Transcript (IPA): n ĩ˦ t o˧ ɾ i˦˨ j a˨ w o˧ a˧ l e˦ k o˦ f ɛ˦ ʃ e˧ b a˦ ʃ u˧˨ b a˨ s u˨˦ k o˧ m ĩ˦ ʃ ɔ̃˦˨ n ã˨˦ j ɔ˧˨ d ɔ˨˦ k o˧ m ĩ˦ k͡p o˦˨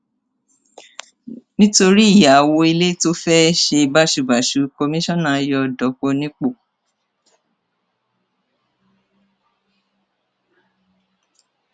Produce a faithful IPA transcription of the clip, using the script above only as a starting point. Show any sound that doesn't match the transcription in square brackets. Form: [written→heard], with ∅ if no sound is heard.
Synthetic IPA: n ĩ˦ t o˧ ɾ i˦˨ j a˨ w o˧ [a˧→i˧] l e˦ [k→t] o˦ f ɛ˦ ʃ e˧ b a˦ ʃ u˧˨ b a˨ [s→ʃ] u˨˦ k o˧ m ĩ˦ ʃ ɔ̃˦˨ n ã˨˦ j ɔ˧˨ d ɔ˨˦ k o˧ [m→n] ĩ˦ k͡p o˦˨